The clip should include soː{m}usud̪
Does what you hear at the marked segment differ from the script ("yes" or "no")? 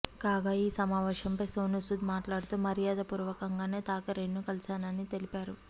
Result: yes